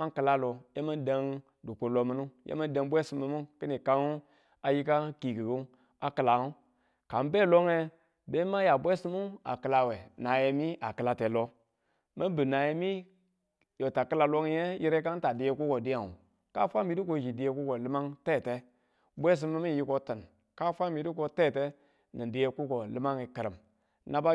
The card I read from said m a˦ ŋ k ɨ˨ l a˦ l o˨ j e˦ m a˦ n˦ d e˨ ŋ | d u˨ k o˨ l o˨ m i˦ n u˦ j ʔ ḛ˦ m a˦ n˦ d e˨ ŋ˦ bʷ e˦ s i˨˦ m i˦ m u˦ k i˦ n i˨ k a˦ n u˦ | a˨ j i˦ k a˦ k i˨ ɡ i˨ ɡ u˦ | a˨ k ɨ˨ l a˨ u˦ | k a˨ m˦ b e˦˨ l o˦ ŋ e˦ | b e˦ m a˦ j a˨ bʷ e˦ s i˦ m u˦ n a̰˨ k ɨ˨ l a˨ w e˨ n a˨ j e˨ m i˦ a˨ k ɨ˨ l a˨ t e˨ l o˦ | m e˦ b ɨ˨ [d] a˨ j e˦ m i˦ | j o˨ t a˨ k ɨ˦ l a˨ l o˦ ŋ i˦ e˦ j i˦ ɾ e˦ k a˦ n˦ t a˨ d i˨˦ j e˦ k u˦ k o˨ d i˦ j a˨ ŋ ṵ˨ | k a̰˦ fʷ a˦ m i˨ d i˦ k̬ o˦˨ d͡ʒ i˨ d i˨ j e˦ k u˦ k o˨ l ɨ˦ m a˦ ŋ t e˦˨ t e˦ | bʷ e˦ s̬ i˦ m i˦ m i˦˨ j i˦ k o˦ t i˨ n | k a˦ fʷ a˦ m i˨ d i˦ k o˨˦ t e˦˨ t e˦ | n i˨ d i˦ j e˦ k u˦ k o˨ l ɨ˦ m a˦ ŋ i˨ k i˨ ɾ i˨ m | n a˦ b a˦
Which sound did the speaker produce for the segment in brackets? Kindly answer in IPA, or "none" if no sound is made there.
n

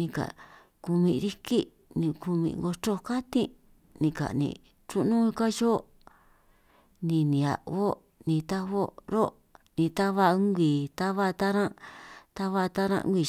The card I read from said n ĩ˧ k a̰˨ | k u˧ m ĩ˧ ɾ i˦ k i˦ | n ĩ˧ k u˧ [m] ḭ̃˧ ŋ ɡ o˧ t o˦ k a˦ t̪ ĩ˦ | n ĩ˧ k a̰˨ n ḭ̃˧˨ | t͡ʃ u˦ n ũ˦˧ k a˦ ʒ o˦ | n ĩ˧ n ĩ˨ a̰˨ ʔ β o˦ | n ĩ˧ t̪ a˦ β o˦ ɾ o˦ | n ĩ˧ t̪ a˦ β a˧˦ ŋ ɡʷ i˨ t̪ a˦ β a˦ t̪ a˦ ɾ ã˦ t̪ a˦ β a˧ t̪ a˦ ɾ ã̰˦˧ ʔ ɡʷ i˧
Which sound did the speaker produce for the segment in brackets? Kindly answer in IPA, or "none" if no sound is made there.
m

